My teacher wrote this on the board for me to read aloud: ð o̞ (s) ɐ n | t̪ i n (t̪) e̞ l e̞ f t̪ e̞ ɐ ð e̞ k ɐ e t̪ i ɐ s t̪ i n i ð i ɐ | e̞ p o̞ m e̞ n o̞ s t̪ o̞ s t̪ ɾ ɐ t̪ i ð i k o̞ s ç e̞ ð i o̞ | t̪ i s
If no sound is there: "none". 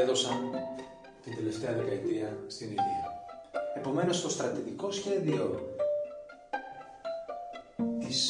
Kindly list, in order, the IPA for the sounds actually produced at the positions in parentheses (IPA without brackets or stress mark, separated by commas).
s, d̪